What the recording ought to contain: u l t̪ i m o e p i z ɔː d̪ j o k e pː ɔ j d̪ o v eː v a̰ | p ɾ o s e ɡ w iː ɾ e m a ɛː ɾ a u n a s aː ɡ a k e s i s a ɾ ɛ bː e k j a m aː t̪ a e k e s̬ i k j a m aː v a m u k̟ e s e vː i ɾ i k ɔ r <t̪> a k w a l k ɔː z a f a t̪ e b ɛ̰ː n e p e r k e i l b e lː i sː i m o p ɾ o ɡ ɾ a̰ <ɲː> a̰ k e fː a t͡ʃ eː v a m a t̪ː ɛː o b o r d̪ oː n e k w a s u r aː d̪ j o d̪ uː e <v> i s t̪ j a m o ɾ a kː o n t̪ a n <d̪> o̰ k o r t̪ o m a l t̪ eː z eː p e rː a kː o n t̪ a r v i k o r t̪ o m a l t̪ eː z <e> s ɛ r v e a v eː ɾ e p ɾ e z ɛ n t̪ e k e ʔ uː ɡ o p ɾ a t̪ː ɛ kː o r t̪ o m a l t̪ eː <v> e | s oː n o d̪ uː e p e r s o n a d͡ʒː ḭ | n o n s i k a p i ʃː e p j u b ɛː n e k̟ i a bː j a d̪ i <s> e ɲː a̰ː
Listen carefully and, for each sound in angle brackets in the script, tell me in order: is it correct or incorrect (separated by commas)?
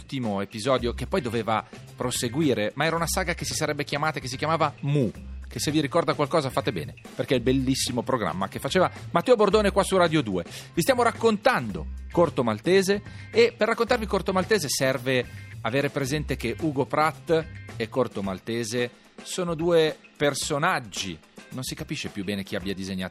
incorrect, incorrect, correct, correct, correct, incorrect, incorrect